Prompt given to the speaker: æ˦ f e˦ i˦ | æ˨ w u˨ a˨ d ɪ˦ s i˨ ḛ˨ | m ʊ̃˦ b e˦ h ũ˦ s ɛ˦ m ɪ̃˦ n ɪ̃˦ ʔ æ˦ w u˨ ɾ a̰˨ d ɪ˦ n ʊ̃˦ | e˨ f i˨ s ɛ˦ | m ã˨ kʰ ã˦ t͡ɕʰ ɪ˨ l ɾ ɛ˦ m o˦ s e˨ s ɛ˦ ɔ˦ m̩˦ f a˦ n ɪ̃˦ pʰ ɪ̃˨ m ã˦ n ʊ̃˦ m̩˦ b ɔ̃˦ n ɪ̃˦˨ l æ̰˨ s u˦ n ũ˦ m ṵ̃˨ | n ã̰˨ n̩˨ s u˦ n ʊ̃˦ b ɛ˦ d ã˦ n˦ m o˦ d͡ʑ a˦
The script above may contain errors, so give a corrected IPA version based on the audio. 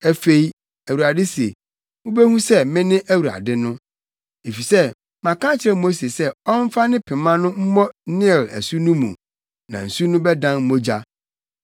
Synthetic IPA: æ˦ f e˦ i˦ | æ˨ w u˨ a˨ d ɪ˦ s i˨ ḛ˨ | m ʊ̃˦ b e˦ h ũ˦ s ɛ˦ m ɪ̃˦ n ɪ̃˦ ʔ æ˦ w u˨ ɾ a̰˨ d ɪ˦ n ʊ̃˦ | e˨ f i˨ s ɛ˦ | m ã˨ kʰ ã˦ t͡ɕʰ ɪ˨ ɾ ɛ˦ m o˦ s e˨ s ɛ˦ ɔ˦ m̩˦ f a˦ n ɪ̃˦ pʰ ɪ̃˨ m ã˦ n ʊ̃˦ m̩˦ m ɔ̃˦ n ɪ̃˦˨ l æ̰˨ s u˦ n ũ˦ m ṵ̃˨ | n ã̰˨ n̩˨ s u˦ n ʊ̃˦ b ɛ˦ d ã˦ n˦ m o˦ d͡ʑ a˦